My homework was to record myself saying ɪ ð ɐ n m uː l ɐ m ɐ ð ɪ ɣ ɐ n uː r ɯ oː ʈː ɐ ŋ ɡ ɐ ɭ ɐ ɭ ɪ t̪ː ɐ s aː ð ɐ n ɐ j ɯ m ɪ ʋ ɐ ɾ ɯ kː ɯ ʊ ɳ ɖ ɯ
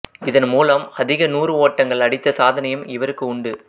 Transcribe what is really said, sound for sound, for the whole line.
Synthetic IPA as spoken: ɪ ð ɐ n m uː l ɐ m ɐ ð ɪ ɣ ɐ n uː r ɯ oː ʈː ɐ ŋ ɡ ɐ ɭ ɐ ɽ ɪ t̪ː ɐ s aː ð ɐ n ɐ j ɯ m ɪ ʋ ɐ ɾ ɯ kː ɯ ʊ ɳ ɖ ɯ